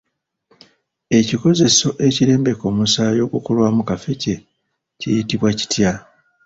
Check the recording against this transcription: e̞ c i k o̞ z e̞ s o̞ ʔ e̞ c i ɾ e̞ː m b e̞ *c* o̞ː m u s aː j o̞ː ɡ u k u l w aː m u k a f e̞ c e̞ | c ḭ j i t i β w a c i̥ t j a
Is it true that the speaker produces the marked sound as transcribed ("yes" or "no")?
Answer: no